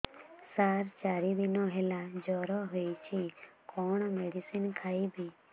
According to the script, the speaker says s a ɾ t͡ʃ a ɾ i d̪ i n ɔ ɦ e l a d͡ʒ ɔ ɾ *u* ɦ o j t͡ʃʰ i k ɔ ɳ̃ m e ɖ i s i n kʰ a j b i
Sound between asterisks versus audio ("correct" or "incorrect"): incorrect